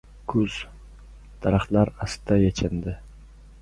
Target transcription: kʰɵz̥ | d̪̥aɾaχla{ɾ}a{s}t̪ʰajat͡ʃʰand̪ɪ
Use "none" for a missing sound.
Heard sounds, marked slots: ɾ, s

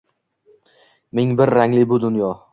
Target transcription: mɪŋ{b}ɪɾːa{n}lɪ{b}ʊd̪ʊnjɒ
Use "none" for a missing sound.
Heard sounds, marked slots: b, ŋ, b

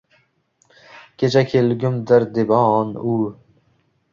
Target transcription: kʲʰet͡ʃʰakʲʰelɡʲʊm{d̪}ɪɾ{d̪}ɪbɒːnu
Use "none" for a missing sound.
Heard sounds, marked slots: d̪, d̪

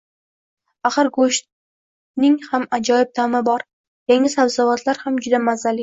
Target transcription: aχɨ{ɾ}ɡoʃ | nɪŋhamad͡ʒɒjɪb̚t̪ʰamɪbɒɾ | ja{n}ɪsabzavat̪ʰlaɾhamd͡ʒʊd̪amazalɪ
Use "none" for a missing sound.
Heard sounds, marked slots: ɾ, ŋ

